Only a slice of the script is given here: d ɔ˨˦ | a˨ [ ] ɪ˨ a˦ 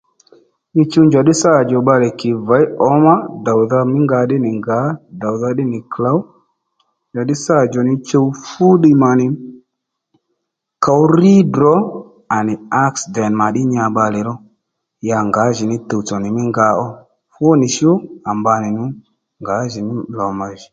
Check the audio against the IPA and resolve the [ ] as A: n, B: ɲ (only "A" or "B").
A